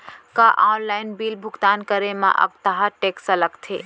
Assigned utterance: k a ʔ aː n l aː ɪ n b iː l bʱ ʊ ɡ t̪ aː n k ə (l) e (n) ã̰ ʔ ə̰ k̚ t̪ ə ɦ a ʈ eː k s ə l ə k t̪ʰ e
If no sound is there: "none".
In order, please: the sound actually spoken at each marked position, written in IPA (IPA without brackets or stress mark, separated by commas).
ɾ, m